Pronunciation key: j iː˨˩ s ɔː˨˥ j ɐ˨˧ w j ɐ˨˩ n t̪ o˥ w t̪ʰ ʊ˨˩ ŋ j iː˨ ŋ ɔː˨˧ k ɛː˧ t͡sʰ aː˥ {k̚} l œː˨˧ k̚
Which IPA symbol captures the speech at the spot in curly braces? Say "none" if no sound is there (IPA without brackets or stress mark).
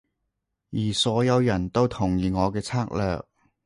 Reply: k̚